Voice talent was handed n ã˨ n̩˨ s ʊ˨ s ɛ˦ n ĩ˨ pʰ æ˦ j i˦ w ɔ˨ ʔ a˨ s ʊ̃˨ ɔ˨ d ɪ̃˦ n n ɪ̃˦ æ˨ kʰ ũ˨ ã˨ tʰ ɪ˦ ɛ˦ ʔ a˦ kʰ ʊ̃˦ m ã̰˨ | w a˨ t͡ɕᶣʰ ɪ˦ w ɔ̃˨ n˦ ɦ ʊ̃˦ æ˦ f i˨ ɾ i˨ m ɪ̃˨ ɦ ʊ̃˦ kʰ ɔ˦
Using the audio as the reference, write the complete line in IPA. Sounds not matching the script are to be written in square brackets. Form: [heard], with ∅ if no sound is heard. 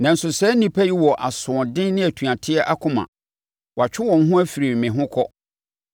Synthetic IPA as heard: n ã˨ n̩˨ s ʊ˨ s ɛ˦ n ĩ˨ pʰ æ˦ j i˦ w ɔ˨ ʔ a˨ s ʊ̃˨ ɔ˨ d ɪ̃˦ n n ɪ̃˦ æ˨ [tʰ] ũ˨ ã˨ tʰ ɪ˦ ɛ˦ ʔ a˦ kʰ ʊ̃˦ m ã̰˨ | w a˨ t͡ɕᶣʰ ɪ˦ w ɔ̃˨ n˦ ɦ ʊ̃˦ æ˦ f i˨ ɾ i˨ m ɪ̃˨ ɦ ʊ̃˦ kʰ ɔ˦

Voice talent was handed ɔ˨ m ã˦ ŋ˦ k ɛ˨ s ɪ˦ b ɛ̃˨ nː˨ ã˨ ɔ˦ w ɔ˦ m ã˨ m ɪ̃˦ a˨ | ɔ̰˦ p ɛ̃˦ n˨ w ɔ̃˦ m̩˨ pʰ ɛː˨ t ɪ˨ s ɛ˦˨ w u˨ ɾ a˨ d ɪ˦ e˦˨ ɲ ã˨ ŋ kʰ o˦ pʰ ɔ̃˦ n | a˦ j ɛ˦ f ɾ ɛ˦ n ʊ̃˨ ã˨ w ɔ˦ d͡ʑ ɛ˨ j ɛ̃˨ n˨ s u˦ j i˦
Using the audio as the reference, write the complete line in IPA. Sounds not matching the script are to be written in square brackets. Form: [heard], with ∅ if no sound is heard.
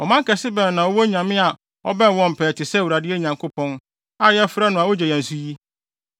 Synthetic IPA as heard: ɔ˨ m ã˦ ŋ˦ k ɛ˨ s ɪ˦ b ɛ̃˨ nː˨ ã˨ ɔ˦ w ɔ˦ [ɲ] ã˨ m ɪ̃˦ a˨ | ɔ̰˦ [b] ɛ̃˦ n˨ w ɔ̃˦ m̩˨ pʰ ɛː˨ t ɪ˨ s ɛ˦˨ w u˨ ɾ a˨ d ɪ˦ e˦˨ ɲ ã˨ ŋ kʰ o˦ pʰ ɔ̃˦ n | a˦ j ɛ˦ f ɾ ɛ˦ n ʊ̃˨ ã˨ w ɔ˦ d͡ʑ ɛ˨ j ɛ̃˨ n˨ s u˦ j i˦

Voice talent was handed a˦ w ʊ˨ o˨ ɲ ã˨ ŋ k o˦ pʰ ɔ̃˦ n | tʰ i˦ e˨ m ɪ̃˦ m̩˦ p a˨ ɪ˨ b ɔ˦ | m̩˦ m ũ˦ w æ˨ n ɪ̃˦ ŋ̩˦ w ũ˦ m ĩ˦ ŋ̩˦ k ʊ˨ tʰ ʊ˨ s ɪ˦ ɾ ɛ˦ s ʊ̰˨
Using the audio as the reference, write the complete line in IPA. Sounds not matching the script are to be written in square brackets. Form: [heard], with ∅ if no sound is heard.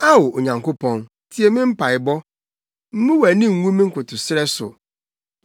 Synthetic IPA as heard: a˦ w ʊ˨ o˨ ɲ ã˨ ŋ k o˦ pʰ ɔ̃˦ n | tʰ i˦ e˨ m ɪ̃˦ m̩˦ p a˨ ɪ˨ b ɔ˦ | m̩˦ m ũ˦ w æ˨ n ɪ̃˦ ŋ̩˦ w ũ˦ m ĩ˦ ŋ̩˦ k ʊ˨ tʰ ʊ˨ s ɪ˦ ɾ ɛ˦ s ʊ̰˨

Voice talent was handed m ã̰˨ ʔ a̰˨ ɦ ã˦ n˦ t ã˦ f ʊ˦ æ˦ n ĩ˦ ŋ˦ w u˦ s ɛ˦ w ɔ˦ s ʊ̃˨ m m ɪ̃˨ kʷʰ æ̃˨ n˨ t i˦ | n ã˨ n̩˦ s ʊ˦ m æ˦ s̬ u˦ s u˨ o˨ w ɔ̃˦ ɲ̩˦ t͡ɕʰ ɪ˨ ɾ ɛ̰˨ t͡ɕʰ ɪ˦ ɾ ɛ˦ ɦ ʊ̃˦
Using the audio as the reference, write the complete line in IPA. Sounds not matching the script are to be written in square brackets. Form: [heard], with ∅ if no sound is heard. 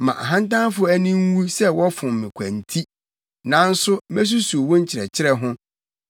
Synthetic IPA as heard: m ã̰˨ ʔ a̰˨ ɦ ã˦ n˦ t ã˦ f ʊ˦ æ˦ n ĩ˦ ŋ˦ w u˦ s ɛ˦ w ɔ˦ [f] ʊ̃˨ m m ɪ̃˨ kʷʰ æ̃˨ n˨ [tʰ] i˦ | n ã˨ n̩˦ s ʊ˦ m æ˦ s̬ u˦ s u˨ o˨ w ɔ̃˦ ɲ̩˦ t͡ɕʰ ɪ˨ ɾ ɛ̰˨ t͡ɕʰ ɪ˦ ɾ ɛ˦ ɦ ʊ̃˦

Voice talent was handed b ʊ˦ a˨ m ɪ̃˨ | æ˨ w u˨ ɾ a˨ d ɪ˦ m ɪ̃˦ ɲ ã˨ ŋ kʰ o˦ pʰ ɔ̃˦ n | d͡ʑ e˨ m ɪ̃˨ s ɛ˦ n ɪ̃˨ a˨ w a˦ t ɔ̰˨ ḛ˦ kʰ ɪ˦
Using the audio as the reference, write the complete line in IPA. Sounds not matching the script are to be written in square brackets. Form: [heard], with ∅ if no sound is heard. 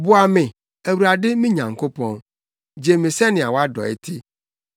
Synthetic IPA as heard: b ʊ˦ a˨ m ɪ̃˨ | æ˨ w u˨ ɾ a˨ d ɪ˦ m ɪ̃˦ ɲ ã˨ ŋ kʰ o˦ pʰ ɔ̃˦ n | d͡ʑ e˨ m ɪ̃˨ s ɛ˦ n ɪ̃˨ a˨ w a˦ [d] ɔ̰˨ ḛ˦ [tʰ] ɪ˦

